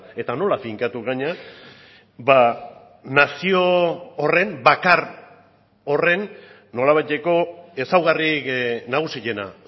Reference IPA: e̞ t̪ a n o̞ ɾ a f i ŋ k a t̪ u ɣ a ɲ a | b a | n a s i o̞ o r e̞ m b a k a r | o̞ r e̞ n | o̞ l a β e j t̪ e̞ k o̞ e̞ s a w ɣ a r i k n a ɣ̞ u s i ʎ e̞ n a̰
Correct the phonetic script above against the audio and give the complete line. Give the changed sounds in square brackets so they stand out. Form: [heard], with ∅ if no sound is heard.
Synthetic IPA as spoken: e̞ t̪ a n o̞ [l] a f i ŋ k a t̪ u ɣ a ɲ a | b a | n a s i o̞ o r e̞ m b a k a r | o̞ r e̞ [nː] | o̞ l a β [a] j t̪ e̞ k o̞ e̞ s a w ɣ a r i k n a ɣ̞ u s i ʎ e̞ n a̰